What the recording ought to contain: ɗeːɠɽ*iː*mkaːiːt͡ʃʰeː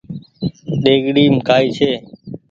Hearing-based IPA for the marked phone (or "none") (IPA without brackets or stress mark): iː